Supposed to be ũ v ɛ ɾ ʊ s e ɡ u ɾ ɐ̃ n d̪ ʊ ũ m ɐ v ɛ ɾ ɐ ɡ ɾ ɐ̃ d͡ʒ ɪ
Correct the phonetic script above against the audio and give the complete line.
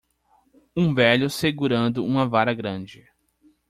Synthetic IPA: ũ v ɛ ʎ ʊ s e ɡ u ɾ ɐ̃ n d̪ ʊ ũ m ɐ v a ɾ ɐ ɡ ɾ ɐ̃ d͡ʒ ɪ